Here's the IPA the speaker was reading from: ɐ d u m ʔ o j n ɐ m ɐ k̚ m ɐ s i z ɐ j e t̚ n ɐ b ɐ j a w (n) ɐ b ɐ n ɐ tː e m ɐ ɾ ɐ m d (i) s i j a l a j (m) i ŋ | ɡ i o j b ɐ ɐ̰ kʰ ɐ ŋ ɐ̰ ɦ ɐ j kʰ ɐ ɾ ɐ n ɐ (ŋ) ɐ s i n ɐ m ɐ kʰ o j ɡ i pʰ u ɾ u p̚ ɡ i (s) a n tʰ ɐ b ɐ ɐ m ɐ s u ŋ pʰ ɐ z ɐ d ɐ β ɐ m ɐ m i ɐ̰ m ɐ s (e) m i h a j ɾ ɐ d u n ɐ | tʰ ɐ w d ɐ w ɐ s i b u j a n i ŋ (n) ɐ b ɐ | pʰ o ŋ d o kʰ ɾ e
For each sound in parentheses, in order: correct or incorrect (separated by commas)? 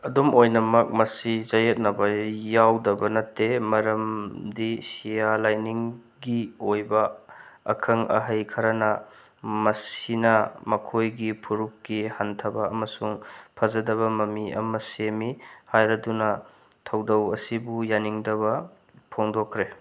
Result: incorrect, correct, incorrect, incorrect, incorrect, correct, incorrect